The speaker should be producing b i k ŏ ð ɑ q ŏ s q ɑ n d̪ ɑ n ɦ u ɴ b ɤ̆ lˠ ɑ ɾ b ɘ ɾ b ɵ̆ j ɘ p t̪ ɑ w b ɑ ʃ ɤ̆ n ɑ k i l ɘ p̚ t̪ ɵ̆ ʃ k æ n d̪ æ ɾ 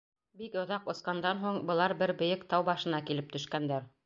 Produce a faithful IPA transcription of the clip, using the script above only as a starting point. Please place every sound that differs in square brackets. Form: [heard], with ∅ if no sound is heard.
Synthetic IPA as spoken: b i k ŏ ð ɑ q ŏ s q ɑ n d̪ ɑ n ɦ u ɴ b ɤ̆ lˠ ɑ ɾ b ɘ ɾ b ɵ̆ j ɘ [k] t̪ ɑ w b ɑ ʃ ɤ̆ n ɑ k i l ɘ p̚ t̪ ɵ̆ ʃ k æ n d̪ æ ɾ